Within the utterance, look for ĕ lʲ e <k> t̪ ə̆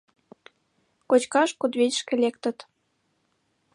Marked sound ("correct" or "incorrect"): correct